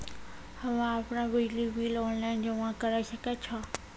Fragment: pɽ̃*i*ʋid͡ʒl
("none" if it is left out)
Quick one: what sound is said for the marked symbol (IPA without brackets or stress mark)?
a